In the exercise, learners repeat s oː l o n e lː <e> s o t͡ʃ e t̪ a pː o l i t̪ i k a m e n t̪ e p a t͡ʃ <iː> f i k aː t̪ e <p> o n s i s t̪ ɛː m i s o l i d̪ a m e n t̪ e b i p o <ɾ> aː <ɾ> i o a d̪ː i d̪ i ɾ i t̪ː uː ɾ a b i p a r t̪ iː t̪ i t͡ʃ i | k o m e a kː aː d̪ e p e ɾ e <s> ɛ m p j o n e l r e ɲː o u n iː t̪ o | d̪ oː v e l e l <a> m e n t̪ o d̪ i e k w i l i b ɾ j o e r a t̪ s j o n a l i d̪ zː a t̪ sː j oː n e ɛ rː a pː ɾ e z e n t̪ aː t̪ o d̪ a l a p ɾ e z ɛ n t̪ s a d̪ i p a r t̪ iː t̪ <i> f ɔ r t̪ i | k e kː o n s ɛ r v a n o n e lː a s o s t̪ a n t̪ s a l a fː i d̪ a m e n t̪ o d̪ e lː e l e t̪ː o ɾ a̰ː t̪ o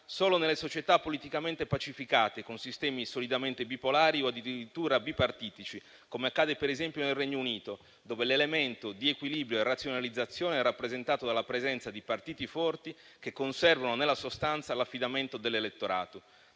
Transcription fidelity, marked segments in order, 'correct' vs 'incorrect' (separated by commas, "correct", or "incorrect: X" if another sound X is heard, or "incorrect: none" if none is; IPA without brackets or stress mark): correct, incorrect: i, incorrect: k, incorrect: l, correct, incorrect: z, incorrect: e, correct